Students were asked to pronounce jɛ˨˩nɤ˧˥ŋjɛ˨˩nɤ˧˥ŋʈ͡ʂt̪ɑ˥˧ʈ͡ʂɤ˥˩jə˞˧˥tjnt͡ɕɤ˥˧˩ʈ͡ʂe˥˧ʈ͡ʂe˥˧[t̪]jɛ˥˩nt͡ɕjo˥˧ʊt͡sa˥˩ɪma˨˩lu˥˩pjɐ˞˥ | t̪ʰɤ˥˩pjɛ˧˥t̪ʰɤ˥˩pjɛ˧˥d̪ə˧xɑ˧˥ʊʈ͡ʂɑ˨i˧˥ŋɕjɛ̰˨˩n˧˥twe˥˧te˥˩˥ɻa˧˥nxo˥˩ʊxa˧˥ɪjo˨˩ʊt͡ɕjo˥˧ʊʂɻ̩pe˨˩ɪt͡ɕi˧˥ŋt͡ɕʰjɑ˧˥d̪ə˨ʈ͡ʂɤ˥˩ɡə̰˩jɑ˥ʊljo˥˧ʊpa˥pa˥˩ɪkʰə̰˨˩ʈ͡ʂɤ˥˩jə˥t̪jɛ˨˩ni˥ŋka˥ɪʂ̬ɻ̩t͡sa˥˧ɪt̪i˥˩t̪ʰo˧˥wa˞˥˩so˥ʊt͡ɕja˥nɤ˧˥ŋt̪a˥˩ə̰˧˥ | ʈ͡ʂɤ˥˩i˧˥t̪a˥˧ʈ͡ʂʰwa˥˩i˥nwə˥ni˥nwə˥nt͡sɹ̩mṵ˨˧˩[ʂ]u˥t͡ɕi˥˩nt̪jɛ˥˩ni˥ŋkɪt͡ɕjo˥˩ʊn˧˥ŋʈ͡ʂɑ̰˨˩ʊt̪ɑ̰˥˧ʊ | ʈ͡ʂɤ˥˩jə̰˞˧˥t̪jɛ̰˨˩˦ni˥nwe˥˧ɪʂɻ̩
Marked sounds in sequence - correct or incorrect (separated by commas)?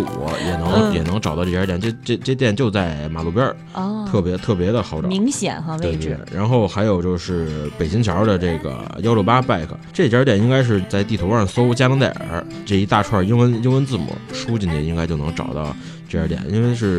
correct, correct